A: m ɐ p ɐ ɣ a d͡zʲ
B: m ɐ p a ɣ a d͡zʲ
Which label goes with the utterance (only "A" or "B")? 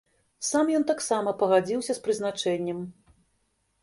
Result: A